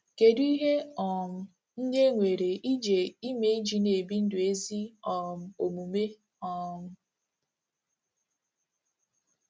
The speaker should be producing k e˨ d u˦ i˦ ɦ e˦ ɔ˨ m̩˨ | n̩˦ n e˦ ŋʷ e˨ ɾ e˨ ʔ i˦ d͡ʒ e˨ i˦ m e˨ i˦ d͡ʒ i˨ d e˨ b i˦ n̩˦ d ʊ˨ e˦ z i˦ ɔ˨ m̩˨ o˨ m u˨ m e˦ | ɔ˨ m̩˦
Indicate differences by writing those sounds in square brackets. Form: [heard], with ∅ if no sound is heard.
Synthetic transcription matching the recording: k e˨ d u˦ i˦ ɦ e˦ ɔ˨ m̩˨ | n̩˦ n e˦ ŋʷ e˨ ɾ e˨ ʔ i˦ d͡ʒ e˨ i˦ m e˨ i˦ d͡ʒ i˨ [n] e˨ b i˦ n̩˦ d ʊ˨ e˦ z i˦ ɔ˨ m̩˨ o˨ m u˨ m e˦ | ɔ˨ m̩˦